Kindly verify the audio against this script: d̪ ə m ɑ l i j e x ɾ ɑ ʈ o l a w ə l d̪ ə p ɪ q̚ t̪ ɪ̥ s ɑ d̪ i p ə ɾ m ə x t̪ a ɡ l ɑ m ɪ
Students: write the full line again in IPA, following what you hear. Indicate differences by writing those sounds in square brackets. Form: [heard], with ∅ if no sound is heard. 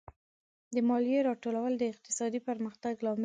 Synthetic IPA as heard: d̪ ə m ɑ l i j e [∅] ɾ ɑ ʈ o l a w ə l d̪ ə [∅] ɪ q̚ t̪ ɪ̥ s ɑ d̪ i p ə ɾ m ə x t̪ a ɡ l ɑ m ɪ